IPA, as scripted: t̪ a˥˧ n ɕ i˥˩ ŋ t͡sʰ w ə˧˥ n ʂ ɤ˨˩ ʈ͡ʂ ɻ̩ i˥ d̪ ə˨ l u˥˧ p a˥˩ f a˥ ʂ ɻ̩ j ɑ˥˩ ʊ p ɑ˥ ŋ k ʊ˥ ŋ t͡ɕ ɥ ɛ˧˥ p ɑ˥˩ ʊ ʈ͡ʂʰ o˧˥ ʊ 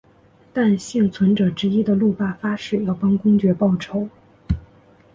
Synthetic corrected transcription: t̪ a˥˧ n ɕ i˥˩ ŋ t͡sʰ w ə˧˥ n ʈ͡ʂ ɤ˨˩ ʈ͡ʂ ɻ̩ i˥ d̪ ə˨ l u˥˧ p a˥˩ f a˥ ʂ ɻ̩ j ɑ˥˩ ʊ p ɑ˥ ŋ k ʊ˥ ŋ t͡ɕ ɥ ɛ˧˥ p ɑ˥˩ ʊ ʈ͡ʂʰ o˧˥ ʊ